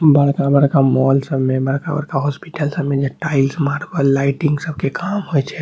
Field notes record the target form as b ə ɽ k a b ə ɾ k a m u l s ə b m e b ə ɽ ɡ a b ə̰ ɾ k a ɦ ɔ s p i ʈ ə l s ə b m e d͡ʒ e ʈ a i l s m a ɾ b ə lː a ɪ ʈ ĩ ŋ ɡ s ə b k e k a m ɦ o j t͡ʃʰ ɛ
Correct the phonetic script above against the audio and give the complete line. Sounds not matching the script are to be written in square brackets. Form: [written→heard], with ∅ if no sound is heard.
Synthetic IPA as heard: b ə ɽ k a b ə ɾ k a m [u→ɔ] l s ə b m e b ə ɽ [ɡ→k] a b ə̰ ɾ k a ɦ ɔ s p i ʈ ə l s ə b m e d͡ʒ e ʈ a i l s m a ɾ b ə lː a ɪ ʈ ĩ ŋ ɡ s ə b k e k a m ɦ o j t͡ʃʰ ɛ